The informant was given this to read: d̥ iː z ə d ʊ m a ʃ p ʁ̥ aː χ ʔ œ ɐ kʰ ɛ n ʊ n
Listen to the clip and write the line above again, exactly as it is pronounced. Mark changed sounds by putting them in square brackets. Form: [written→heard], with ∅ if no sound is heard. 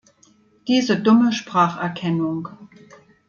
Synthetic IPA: d̥ iː z ə d ʊ m [a→ə] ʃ p ʁ̥ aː χ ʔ [œ→ɛ] ɐ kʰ ɛ n ʊ [n→ŋ]